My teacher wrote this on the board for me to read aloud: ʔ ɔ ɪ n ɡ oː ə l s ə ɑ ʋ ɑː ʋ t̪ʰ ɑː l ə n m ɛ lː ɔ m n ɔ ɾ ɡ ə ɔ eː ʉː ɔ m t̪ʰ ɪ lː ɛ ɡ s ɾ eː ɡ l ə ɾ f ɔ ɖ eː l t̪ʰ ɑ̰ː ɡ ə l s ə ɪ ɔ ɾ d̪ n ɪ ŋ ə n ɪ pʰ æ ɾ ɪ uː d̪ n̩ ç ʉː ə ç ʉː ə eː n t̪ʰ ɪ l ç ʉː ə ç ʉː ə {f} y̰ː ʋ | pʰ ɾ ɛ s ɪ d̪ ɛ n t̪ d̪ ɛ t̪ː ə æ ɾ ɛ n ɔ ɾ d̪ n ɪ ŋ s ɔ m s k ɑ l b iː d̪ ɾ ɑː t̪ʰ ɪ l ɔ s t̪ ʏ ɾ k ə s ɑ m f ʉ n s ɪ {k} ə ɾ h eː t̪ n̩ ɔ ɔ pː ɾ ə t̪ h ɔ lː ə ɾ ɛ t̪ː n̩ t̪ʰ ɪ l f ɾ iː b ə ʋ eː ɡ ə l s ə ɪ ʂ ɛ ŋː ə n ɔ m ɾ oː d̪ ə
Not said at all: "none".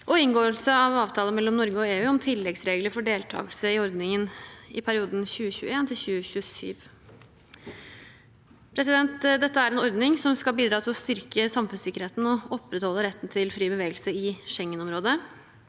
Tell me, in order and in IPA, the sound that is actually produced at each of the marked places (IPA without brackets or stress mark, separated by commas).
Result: s, k